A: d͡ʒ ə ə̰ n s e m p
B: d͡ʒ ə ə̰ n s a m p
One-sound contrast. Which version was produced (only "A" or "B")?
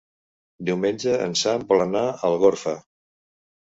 B